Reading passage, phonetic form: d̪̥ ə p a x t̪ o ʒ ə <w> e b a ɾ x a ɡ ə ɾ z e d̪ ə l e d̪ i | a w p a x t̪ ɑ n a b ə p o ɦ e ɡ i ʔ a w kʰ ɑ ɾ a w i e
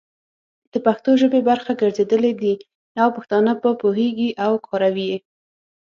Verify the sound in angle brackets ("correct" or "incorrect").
incorrect